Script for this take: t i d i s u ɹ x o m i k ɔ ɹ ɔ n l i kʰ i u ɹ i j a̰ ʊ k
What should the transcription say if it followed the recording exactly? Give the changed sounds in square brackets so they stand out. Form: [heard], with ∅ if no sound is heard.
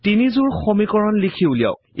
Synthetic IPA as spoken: t i [n] i [z] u ɹ x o m i k ɔ ɹ ɔ n l i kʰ i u [l] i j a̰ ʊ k